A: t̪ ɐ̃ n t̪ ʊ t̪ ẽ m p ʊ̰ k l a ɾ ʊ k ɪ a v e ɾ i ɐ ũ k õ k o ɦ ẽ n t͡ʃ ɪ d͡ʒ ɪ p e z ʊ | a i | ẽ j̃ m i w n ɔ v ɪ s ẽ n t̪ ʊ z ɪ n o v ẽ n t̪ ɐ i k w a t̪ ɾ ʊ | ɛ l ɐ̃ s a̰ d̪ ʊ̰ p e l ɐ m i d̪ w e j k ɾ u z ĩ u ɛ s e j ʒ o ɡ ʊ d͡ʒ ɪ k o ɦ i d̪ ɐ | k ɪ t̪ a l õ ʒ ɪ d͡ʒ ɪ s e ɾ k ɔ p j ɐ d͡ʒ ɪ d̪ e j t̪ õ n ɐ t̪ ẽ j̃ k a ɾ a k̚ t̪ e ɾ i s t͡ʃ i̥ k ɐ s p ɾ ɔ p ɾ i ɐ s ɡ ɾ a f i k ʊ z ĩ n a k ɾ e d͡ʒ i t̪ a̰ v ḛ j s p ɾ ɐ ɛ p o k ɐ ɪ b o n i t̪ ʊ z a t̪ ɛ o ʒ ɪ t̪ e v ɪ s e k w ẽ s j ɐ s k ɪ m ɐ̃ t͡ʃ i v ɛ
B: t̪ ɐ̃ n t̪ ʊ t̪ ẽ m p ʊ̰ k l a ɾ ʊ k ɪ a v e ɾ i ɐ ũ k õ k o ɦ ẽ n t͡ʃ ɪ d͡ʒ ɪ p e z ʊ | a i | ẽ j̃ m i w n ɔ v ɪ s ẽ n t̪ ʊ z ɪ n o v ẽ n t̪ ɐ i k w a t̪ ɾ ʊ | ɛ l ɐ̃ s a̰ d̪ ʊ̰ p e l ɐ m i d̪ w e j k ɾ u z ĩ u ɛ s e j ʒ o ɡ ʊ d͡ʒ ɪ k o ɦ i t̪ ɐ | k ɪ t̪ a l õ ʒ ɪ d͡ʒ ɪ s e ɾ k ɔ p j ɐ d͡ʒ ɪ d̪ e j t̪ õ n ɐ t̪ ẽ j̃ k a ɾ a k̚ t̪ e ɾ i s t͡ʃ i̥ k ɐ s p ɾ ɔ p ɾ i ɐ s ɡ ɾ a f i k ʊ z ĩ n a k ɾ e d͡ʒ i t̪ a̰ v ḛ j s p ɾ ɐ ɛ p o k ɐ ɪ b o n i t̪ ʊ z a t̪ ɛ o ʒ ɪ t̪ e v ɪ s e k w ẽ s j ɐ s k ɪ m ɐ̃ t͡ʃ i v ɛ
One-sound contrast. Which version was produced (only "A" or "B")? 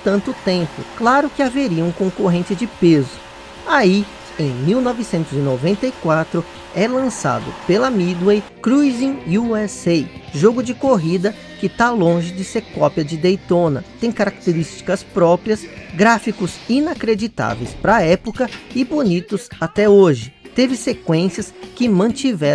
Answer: A